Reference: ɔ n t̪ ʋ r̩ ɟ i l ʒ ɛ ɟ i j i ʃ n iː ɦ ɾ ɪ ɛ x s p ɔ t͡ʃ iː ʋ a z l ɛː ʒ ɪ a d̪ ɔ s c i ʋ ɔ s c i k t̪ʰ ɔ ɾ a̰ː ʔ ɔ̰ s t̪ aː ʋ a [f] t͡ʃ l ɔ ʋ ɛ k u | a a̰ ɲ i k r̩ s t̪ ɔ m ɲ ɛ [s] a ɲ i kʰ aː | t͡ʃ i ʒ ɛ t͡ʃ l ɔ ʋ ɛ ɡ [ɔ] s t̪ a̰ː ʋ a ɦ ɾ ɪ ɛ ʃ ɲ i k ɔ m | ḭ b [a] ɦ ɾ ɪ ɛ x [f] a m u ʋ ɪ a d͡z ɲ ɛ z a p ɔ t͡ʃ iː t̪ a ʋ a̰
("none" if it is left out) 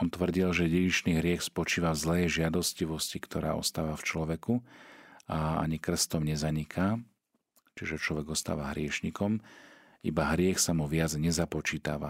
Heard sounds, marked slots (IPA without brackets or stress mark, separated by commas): f, z, ɔ, a, s